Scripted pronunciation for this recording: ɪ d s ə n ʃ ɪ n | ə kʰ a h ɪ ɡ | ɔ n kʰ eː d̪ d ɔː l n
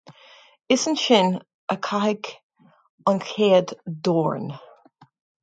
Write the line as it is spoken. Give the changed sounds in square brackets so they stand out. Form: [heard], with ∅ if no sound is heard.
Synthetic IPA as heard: ɪ [∅] s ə n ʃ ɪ n | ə kʰ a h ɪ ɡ | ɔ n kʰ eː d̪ d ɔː [ɹ] n